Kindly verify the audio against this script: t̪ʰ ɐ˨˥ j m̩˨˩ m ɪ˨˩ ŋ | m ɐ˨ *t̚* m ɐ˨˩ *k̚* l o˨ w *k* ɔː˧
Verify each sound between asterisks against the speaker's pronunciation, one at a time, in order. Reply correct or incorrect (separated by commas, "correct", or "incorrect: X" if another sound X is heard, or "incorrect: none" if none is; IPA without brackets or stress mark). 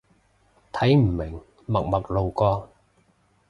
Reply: incorrect: k̚, correct, correct